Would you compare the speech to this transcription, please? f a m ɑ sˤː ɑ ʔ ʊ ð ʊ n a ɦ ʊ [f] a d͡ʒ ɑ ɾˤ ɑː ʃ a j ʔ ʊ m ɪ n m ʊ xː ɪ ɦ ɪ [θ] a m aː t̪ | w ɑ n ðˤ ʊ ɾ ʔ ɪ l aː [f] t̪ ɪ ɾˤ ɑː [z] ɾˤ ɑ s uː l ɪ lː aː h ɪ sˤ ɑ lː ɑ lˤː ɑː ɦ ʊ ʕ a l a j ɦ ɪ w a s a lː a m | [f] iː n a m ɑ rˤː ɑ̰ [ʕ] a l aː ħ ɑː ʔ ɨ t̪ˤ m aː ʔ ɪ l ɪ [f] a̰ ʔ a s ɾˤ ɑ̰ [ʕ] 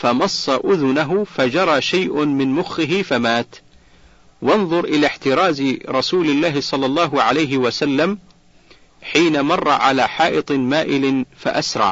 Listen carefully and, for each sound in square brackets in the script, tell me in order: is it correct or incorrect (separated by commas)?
correct, incorrect, incorrect, correct, incorrect, correct, correct, correct